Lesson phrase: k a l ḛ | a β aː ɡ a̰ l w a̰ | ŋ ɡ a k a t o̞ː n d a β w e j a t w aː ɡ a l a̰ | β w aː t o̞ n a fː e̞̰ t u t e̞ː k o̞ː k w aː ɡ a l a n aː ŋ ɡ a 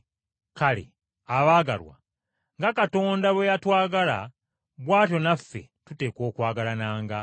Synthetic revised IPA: k a l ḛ | a β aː ɡ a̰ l w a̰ | ŋ ɡ a k a t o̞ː n d a β w e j a t w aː ɡ a l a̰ | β w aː t o̞ n a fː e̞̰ t u t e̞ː k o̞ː k w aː ɡ a l a n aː ŋ ɡ a